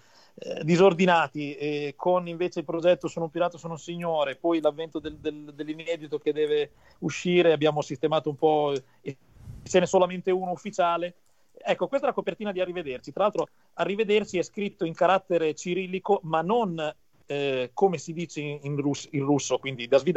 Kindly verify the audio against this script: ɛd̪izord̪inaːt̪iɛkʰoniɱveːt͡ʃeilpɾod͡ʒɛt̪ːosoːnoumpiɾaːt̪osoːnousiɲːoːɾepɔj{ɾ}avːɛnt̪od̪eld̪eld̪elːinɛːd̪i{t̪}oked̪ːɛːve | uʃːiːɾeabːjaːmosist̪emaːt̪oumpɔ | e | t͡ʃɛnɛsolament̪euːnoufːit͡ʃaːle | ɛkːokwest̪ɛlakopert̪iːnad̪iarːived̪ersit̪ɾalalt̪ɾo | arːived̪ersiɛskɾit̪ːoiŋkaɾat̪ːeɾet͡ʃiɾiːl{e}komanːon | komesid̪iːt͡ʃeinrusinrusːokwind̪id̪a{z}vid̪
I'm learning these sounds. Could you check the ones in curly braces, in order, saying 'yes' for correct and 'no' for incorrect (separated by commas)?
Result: no, yes, no, yes